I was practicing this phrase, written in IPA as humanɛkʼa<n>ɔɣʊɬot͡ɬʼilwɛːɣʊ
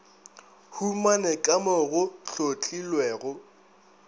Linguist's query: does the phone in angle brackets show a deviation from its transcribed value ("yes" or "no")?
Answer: yes